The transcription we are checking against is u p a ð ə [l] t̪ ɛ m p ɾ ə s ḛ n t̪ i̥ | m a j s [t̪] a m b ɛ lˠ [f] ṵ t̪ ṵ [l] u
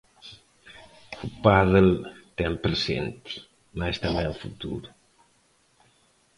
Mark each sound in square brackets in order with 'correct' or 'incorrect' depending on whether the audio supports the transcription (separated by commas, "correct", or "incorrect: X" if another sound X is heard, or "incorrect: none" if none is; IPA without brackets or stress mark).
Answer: correct, correct, correct, incorrect: ɾ